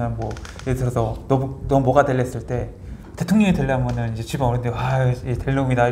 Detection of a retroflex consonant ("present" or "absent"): present